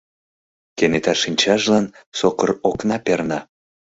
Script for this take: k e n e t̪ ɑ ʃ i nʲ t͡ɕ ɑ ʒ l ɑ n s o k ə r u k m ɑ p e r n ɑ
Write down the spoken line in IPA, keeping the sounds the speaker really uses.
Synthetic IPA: k e n e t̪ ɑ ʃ i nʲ t͡ɕ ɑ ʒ l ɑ n s o k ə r o k n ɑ p e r n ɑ